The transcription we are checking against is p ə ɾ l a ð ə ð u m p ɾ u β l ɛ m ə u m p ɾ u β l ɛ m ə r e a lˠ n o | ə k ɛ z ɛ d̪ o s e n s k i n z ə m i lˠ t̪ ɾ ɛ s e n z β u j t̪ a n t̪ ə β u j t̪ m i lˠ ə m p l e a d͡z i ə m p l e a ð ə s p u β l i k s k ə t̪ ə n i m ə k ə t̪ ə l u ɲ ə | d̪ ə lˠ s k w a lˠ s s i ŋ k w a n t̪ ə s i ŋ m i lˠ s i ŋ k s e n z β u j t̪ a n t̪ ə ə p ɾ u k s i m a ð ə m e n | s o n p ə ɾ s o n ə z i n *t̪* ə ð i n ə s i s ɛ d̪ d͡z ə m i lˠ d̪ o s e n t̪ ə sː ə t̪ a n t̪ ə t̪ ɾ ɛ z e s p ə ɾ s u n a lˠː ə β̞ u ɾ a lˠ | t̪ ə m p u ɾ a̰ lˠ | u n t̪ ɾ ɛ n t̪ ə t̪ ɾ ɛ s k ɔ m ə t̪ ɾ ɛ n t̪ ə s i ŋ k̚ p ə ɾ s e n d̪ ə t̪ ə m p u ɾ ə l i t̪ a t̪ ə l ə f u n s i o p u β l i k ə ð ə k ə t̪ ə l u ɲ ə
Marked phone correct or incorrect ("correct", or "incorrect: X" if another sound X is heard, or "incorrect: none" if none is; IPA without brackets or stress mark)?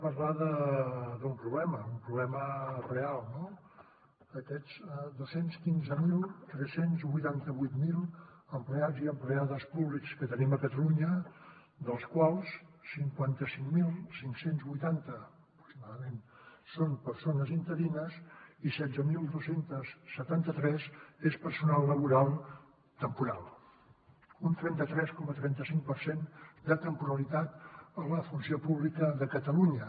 correct